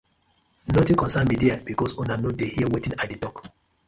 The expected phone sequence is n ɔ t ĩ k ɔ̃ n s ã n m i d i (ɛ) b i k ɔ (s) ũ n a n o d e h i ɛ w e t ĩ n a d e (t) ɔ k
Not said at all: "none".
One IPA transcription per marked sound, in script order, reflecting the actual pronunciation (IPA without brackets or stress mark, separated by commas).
a, s, t